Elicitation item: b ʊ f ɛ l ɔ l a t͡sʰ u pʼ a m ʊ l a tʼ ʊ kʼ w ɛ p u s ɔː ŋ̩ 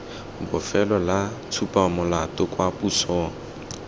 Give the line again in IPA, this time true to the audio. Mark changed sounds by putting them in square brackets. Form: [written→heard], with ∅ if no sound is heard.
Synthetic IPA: b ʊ f ɛ l ɔ l a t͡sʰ u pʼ a m ʊ l a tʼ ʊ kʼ w [ɛ→a] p u s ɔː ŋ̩